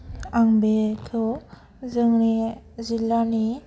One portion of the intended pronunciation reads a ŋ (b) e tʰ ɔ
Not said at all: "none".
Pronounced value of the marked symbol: b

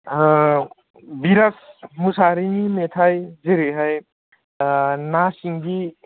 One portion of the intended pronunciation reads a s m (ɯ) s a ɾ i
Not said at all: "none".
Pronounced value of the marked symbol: u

